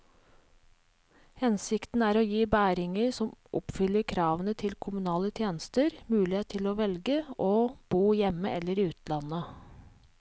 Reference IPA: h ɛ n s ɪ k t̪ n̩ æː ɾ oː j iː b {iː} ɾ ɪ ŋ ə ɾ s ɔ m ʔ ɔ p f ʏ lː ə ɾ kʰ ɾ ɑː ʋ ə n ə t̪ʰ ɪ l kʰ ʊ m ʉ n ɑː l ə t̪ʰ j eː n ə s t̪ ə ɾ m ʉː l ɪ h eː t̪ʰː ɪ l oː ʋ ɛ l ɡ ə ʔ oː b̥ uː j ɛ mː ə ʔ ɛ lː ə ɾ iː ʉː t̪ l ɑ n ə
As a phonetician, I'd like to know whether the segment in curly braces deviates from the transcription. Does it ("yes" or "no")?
yes